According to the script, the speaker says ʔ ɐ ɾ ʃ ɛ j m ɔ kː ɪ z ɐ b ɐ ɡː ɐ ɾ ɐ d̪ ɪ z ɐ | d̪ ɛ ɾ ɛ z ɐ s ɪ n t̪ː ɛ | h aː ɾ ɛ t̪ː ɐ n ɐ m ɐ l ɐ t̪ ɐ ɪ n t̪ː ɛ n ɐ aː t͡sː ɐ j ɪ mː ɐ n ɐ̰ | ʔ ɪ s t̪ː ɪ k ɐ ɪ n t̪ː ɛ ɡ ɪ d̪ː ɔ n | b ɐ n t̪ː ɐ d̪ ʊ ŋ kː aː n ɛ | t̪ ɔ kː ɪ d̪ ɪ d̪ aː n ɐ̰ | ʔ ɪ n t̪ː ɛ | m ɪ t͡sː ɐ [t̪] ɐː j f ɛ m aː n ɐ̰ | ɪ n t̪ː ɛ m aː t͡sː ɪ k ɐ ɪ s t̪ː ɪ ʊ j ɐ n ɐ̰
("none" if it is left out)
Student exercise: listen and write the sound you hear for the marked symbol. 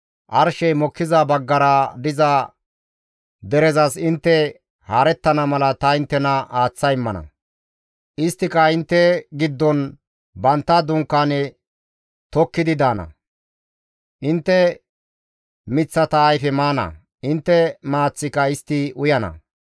t̪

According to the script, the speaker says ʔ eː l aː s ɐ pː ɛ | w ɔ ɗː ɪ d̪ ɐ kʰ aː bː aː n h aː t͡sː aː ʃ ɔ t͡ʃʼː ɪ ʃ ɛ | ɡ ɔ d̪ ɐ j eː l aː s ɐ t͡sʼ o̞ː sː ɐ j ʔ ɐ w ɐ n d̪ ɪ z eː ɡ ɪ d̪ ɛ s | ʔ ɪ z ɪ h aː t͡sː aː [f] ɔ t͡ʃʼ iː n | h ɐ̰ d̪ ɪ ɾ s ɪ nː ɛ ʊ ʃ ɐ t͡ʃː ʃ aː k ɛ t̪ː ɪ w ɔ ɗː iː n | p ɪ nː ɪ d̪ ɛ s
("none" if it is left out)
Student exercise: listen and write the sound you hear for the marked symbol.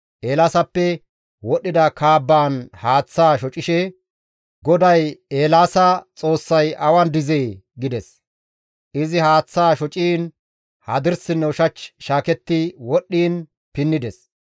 ʃ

